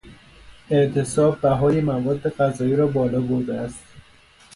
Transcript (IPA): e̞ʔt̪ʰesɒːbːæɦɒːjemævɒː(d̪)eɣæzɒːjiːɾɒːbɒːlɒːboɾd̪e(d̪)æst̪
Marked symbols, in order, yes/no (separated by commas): no, no